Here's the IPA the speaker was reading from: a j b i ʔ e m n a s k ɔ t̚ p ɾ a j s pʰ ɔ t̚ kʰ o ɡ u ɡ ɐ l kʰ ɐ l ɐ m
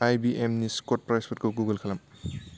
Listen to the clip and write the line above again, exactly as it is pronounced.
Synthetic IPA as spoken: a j b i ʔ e m n i s k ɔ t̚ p ɾ a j s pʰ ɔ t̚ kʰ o ɡ u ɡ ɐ l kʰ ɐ l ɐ m